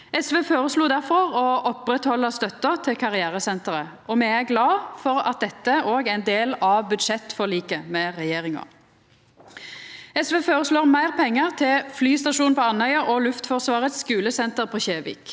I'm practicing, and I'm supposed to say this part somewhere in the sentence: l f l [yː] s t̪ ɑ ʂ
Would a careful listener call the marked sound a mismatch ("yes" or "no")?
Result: no